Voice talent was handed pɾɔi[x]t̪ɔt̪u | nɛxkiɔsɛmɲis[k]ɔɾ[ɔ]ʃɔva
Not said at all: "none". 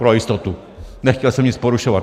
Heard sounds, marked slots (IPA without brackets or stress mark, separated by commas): s, p, u